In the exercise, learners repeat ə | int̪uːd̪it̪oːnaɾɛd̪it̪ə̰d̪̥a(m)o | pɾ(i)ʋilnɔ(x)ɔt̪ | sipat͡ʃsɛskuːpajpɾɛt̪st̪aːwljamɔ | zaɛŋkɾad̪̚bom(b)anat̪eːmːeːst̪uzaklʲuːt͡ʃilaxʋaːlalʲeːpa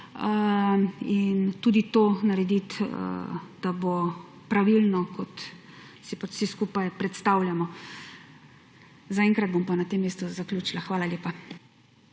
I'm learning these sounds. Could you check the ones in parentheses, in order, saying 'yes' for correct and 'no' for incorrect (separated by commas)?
no, no, no, no